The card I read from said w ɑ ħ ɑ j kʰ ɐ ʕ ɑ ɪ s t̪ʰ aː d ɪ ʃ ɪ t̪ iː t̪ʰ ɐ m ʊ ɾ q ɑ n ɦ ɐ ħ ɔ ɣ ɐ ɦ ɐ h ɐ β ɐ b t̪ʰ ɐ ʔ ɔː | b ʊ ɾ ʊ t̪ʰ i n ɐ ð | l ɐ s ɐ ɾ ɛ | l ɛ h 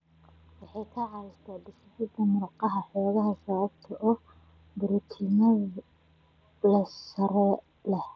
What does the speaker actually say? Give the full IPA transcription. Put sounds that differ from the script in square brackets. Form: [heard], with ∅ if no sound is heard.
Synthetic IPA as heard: w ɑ ħ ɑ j kʰ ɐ ʕ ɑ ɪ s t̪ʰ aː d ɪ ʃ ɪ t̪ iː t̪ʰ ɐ m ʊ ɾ q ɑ [∅] ɦ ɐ ħ [ɔː] ɣ ɐ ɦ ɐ [s] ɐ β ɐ b t̪ʰ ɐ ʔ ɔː | b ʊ ɾ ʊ t̪ʰ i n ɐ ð | l ɐ s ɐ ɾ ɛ | l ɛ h